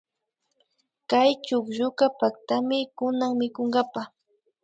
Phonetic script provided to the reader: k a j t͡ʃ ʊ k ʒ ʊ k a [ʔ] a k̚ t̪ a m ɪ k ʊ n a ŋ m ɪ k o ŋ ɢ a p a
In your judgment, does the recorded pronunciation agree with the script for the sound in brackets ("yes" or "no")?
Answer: no